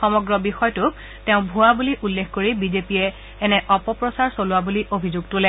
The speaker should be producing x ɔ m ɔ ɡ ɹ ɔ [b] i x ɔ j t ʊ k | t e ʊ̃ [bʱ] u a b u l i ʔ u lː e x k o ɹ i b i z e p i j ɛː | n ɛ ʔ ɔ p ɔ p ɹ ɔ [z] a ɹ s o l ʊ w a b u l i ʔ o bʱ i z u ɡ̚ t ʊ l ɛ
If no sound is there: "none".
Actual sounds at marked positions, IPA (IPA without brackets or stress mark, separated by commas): b, bʱ, s